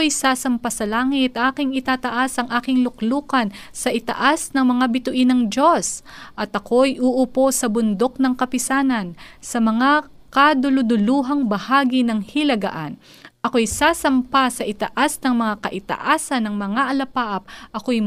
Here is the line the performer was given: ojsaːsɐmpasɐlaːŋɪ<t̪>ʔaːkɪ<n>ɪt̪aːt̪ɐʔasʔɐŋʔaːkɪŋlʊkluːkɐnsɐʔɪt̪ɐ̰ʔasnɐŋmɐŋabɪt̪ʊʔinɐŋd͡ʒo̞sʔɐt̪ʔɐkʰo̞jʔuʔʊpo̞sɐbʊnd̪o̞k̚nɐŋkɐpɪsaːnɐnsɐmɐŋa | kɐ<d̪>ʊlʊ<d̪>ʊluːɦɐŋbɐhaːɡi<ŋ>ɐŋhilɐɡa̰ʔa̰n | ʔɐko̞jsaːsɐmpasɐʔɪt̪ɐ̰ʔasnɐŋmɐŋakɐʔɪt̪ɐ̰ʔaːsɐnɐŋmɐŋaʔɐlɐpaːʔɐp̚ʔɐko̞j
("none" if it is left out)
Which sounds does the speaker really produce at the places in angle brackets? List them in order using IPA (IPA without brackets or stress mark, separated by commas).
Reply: t̪, ŋ, d̪, d̪, n